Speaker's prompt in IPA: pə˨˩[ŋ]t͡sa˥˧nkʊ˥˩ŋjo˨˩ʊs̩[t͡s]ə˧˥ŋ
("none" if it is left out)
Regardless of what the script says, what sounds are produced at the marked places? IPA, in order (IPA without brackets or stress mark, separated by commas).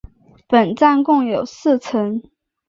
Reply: n, t͡sʰ